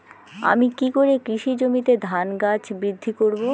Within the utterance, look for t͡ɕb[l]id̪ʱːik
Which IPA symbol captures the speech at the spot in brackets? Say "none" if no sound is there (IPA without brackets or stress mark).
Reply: ɾ